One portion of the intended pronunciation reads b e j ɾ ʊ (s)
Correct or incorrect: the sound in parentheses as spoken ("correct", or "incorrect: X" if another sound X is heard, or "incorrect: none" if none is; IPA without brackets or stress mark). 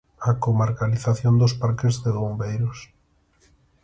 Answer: correct